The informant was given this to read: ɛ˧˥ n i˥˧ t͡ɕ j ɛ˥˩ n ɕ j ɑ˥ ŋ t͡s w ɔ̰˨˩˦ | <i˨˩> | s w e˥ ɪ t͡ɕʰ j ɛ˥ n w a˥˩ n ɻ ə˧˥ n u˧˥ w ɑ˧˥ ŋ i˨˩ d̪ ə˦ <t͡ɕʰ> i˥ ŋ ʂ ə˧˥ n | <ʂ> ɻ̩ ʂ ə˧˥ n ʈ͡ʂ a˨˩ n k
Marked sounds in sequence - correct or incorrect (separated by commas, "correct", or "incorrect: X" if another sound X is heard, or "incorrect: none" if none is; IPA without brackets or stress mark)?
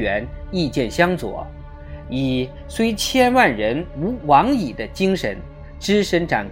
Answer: correct, incorrect: t͡ɕ, incorrect: ʈ͡ʂ